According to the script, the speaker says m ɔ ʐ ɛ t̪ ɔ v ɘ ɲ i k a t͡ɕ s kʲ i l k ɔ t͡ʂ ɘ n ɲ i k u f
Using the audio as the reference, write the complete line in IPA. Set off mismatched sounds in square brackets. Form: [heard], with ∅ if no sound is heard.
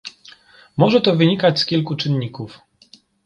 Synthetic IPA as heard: m ɔ ʐ ɛ t̪ ɔ v ɘ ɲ i k a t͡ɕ s kʲ i l k [u] t͡ʂ ɘ n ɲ i k u f